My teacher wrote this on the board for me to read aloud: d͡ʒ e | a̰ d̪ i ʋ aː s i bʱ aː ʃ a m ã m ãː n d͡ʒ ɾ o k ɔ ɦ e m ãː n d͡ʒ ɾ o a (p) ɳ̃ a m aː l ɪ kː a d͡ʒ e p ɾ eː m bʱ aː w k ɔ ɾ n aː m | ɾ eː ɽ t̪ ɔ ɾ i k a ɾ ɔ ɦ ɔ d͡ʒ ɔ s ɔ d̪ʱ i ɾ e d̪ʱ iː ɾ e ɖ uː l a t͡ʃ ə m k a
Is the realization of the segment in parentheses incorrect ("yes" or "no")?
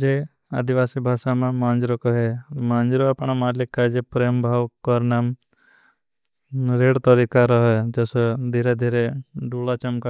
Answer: no